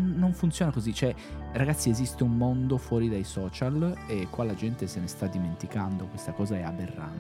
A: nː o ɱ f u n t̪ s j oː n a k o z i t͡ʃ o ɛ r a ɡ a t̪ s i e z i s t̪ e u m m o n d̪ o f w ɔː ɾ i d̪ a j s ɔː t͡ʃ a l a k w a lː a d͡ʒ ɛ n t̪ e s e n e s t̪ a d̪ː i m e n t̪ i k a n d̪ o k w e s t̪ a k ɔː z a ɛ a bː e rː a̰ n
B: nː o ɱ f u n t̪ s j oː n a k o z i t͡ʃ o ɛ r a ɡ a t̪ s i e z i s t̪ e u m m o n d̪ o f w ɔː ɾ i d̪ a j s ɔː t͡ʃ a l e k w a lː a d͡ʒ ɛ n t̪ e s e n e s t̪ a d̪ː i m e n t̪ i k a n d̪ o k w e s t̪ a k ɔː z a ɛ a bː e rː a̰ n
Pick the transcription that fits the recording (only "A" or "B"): B